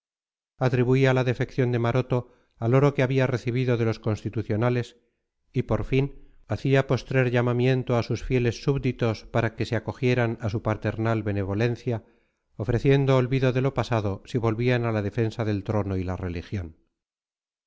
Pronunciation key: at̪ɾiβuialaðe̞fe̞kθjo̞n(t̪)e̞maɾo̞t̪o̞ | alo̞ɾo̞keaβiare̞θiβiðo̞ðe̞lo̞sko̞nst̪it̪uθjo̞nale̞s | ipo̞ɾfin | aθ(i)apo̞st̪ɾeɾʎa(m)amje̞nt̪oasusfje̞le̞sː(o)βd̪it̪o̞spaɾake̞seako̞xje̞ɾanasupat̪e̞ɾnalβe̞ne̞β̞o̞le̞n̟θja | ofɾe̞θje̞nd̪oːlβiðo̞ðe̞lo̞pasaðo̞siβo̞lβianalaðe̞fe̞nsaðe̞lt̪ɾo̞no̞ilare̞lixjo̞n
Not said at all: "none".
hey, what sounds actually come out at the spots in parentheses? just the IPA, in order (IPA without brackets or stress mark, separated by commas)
d̪, i, m, u